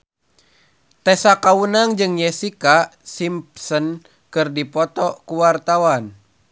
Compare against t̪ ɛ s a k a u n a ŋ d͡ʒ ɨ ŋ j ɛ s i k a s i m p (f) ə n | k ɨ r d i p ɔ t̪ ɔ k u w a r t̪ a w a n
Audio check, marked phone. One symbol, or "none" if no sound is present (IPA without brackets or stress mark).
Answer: s